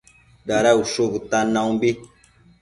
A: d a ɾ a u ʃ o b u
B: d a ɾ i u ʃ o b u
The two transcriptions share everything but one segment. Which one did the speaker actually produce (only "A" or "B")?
A